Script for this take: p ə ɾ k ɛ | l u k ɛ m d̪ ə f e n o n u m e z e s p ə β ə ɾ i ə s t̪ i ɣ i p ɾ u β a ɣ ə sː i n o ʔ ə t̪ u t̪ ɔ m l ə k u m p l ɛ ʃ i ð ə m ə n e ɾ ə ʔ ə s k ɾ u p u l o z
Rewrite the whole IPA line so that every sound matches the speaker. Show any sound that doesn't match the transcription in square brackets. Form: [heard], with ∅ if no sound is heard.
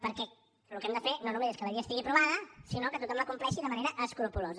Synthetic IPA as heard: p ə ɾ k ɛ | l u k ɛ m d̪ ə f e n o n u m e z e s [k] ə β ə ɾ i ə s t̪ i ɣ i p ɾ u β a [ð] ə [s] i n o [k] ə t̪ u t̪ ɔ m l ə k u m p l ɛ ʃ i ð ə m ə n e ɾ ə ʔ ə s k ɾ u p u l o z